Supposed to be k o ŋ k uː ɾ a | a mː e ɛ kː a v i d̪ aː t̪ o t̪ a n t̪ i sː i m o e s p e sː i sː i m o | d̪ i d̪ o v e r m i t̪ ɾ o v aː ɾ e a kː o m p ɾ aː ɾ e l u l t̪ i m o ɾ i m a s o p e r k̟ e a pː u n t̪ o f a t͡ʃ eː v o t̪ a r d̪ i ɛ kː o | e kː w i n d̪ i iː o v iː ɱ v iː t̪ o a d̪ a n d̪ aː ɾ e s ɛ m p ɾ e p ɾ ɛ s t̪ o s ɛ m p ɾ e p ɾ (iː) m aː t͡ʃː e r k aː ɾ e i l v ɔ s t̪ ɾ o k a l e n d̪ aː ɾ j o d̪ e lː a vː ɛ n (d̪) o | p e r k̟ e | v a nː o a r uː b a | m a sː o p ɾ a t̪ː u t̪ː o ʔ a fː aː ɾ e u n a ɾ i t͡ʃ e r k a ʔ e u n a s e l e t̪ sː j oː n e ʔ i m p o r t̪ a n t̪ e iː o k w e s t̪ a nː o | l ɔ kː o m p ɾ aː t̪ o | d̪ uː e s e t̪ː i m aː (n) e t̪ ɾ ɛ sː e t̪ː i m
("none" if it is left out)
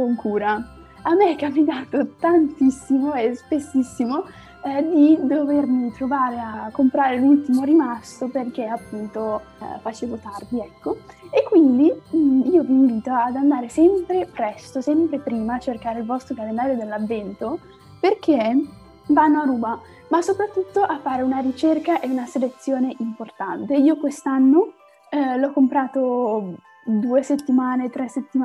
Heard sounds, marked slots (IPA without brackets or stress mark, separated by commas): iː, t̪, n